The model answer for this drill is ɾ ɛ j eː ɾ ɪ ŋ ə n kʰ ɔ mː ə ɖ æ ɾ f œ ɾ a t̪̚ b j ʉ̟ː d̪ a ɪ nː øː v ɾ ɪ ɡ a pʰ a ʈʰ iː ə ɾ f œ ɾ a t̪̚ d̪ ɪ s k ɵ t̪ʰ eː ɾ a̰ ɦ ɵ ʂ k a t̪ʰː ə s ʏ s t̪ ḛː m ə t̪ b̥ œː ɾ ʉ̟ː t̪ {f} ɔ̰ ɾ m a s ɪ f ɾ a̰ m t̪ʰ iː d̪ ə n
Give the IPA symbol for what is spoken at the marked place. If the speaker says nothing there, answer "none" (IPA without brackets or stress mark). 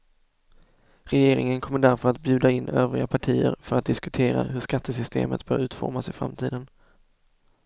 f